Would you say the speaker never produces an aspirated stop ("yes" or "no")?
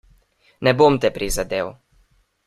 yes